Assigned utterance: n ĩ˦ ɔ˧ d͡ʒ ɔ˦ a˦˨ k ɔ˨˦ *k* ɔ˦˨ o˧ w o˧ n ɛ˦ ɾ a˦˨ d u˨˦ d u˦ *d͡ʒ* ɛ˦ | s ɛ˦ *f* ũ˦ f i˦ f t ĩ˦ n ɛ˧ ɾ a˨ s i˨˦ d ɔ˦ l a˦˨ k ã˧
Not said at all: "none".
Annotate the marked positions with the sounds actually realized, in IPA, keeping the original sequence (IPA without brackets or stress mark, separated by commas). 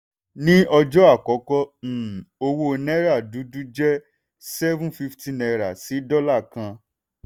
k, d͡ʒ, v